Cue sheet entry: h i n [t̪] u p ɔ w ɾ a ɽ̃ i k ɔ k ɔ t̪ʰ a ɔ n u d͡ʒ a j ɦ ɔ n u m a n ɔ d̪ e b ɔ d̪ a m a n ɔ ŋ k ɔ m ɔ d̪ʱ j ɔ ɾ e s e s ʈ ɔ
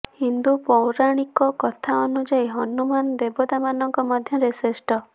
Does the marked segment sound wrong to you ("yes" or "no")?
yes